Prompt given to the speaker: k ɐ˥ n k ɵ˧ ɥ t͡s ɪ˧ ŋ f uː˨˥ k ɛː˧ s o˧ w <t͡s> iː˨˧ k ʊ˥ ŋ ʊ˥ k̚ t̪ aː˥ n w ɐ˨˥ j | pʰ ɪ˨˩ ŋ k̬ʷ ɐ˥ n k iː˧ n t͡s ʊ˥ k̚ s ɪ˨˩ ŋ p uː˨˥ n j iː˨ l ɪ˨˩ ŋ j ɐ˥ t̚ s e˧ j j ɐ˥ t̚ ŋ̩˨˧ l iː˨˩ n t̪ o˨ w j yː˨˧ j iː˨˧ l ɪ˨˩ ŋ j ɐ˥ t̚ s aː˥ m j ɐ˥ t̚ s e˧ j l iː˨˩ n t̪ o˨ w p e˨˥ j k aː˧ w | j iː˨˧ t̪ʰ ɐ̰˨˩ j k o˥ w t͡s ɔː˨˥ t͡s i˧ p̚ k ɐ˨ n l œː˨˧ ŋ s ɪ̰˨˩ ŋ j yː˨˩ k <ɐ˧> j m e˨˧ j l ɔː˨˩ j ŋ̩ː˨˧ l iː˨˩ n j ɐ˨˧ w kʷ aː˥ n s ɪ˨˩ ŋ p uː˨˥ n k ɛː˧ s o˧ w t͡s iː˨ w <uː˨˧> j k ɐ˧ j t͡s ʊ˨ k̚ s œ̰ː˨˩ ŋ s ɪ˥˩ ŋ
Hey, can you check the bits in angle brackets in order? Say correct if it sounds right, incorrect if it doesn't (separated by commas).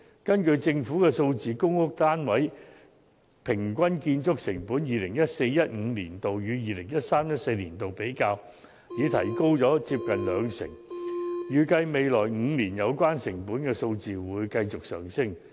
correct, correct, correct